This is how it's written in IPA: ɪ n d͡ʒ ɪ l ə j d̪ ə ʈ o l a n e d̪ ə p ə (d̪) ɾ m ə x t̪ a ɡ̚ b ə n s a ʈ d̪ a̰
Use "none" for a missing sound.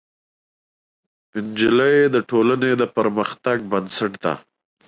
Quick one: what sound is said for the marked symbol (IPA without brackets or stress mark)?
none